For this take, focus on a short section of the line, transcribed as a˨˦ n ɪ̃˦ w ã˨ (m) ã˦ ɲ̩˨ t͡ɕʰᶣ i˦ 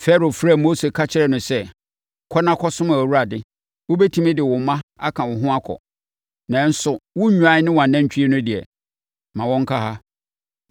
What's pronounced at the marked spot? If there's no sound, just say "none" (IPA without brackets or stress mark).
n